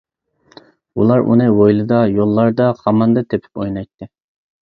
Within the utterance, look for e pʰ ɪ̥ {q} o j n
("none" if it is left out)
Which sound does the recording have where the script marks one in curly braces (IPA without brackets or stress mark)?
p